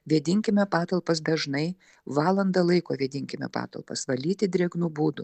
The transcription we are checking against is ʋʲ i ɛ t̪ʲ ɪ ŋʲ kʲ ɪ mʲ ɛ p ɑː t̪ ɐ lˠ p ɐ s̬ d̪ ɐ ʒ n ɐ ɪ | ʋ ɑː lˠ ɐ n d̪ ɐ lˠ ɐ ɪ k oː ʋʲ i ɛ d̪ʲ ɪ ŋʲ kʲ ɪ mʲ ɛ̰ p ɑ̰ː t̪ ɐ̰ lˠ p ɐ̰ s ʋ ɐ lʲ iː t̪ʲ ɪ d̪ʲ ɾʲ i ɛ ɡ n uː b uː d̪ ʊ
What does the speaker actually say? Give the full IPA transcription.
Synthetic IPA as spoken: ʋʲ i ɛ d̪ʲ ɪ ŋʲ kʲ ɪ mʲ ɛ p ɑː t̪ ɐ lˠ p ɐ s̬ d̪ ɐ ʒ n ɐ ɪ | ʋ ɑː lˠ ɐ n d̪ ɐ lˠ ɐ ɪ k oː ʋʲ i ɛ d̪ʲ ɪ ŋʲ kʲ ɪ mʲ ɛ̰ p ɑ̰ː t̪ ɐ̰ lˠ p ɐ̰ s ʋ ɐ lʲ iː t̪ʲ ɪ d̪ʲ ɾʲ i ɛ ɡ n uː b uː d̪ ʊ